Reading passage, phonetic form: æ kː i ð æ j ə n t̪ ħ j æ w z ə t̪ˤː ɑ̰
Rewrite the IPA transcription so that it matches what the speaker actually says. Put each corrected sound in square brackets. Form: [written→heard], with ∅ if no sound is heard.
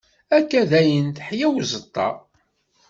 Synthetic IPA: æ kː [i→æ] ð æ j ə n t̪ ħ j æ w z ə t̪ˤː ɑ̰